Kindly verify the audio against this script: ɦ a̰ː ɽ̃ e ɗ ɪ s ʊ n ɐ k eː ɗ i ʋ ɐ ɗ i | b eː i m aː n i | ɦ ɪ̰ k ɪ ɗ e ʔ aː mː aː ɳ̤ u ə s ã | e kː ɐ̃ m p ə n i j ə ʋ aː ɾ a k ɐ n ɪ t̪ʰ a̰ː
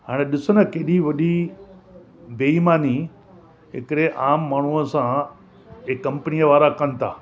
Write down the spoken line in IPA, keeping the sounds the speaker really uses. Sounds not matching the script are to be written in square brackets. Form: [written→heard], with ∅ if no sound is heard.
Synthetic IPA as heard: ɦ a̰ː ɽ̃ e ɗ ɪ s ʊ n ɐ k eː ɗ i ʋ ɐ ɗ i | b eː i m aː n i | ɦ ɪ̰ k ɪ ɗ e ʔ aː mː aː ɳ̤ u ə s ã | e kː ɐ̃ m p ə n i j ə ʋ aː ɾ a k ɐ n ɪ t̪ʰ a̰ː

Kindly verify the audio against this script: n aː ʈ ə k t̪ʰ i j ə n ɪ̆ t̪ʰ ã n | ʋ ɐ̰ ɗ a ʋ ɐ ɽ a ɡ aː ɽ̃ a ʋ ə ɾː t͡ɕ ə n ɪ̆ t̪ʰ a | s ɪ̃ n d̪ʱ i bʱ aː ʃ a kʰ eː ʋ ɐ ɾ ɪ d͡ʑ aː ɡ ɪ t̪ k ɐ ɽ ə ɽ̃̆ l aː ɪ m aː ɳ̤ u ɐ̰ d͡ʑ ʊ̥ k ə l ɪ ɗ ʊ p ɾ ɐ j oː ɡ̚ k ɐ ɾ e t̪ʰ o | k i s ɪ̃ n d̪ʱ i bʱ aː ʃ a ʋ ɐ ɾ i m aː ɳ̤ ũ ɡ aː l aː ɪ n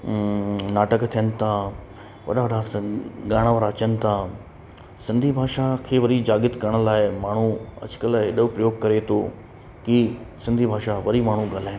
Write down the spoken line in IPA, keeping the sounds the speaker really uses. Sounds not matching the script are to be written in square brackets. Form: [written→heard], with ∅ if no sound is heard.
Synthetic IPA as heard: n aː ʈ ə k t̪ʰ i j ə n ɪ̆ t̪ʰ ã [n→∅] | ʋ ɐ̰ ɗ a ʋ ɐ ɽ a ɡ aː ɽ̃ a ʋ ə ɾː t͡ɕ ə n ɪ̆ t̪ʰ a | s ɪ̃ n d̪ʱ i bʱ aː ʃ a kʰ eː ʋ ɐ ɾ [ɪ→i] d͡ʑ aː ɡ ɪ t̪ k ɐ [ɽ→ɾ] ə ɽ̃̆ l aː ɪ m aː ɳ̤ u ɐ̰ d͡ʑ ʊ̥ k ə l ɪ ɗ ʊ p ɾ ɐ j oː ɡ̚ k ɐ ɾ e t̪ʰ o | k i s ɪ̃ n d̪ʱ i bʱ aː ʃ a ʋ ɐ ɾ i m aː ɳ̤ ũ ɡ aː l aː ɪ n

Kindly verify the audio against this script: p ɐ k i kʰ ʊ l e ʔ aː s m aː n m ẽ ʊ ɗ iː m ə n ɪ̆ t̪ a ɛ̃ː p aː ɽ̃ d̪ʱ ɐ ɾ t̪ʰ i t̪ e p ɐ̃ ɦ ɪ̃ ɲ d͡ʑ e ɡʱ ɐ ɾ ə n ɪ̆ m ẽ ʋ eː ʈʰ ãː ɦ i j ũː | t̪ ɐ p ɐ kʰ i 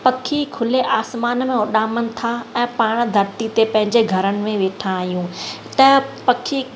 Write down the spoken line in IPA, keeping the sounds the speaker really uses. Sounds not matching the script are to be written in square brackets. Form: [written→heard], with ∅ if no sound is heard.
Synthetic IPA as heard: p ɐ [k→kʰ] i kʰ ʊ l e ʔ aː s m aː n m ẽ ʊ ɗ [iː→aː] m ə n ɪ̆ [t̪→t̪ʰ] a ɛ̃ː p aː ɽ̃ d̪ʱ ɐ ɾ [t̪ʰ→t̪] i t̪ e p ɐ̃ ɦ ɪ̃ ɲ d͡ʑ e ɡʱ ɐ ɾ ə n ɪ̆ m ẽ ʋ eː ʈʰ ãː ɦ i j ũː | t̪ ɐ p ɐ kʰ i

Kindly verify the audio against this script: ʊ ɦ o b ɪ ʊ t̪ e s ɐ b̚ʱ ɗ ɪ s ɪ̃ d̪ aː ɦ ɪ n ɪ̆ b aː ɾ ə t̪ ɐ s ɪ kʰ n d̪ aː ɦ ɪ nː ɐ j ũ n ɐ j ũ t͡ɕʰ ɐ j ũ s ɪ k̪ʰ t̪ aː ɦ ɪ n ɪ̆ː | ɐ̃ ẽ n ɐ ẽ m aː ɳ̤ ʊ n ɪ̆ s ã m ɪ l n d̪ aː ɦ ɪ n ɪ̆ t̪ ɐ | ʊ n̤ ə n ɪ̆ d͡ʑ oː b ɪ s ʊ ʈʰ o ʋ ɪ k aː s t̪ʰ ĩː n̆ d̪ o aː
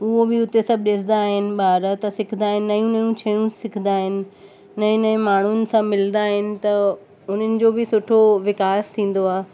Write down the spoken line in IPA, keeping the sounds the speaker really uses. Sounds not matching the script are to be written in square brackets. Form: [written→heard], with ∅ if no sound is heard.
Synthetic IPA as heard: ʊ ɦ o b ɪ ʊ t̪ e s ɐ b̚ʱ ɗ ɪ s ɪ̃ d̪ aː ɦ ɪ n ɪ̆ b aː ɾ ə t̪ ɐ s ɪ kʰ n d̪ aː ɦ ɪ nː ɐ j ũ n ɐ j ũ t͡ɕʰ ɐ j ũ s ɪ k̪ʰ [t̪→d̪] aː ɦ ɪ n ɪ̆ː | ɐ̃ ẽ n ɐ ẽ m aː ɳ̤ ʊ n ɪ̆ s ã m ɪ l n d̪ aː ɦ ɪ n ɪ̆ t̪ ɐ | ʊ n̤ ə n ɪ̆ d͡ʑ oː b ɪ s ʊ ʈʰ o ʋ ɪ k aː s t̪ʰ ĩː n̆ d̪ o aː

